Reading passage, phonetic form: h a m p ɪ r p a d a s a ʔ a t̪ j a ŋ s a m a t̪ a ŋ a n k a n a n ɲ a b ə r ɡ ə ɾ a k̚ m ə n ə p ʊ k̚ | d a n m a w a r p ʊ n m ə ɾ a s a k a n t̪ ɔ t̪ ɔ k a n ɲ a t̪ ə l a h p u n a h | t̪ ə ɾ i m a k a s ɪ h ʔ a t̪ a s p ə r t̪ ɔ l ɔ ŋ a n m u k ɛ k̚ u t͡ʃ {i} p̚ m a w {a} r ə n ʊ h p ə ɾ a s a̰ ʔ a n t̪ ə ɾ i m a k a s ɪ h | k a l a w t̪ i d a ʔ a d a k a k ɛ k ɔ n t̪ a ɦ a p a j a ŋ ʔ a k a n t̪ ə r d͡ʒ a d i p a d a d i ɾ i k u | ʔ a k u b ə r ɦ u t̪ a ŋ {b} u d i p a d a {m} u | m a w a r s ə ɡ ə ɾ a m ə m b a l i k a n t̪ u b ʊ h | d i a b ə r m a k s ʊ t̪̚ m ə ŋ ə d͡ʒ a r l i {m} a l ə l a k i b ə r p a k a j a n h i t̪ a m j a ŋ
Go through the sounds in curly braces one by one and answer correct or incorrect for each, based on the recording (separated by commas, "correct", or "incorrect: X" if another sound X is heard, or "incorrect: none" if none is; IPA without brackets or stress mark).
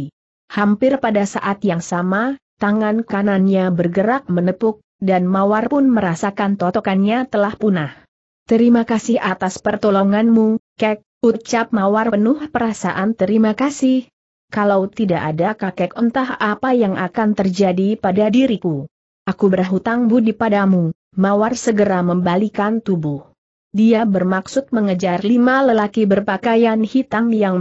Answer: incorrect: a, correct, correct, correct, correct